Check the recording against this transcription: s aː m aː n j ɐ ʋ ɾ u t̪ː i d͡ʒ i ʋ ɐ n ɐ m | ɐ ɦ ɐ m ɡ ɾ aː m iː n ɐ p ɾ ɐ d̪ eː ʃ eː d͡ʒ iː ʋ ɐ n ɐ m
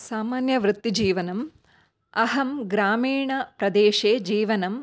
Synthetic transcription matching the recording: s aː m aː n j ɐ ʋ ɾ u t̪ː i d͡ʒ iː ʋ ɐ n ɐ m | ɐ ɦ ɐ m ɡ ɾ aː m iː ɳ ɐ p ɾ ɐ d̪ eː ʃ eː d͡ʒ iː ʋ ɐ n ɐ m